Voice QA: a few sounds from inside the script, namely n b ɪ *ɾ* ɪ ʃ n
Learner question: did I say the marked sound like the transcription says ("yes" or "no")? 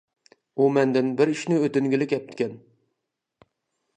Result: yes